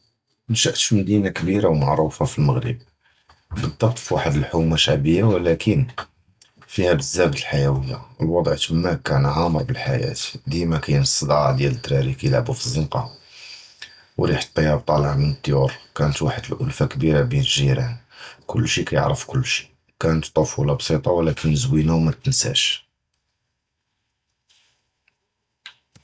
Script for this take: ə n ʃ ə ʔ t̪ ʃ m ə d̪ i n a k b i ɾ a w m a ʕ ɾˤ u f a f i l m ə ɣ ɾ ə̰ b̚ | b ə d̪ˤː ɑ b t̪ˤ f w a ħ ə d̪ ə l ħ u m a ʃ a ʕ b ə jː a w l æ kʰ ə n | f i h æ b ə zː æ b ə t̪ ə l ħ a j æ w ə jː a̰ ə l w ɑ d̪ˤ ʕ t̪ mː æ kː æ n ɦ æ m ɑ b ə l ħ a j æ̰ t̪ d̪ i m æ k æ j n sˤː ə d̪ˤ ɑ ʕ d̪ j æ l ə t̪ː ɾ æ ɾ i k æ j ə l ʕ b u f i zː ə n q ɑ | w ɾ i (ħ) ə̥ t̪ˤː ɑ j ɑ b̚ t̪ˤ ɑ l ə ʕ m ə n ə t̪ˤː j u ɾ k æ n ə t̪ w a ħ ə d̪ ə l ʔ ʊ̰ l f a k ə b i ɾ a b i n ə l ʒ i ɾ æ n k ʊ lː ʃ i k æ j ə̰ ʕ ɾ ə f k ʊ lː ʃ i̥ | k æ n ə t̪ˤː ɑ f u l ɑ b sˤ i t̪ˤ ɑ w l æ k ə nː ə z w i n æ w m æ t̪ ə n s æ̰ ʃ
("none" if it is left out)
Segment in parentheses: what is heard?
ħ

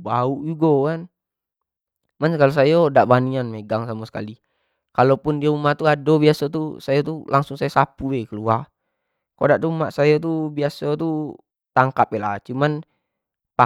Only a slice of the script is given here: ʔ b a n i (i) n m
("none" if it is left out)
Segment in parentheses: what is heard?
a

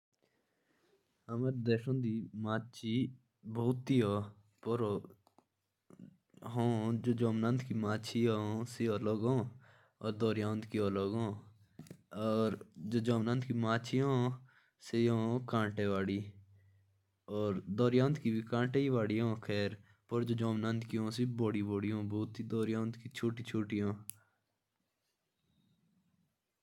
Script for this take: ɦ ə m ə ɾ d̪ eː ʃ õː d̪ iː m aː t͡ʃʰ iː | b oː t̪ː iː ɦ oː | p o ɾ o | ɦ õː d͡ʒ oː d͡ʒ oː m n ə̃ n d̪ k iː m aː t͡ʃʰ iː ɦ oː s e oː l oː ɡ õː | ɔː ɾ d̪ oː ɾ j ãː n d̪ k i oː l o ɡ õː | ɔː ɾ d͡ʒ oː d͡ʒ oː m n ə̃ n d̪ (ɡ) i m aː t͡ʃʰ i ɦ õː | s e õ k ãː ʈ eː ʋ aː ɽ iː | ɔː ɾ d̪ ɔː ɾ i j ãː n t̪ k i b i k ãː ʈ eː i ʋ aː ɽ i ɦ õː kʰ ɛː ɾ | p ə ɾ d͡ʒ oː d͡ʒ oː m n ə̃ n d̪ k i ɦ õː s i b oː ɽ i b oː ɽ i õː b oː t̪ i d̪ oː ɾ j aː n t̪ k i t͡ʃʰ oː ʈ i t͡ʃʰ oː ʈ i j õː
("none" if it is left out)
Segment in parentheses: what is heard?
k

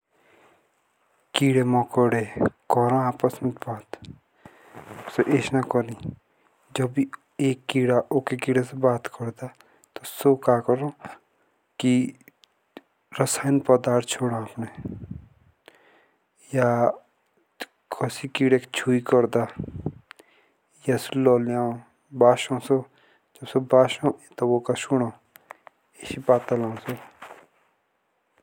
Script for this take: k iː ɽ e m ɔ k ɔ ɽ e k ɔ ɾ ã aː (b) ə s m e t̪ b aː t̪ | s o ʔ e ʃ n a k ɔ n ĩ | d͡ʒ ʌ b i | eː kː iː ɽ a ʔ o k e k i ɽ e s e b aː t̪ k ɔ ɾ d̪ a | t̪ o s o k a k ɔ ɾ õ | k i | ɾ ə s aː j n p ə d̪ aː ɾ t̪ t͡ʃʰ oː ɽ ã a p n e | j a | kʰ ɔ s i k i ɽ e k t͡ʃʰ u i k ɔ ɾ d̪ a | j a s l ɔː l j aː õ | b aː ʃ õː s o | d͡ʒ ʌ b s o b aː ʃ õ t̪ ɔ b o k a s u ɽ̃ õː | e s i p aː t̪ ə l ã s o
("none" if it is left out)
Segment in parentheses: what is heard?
p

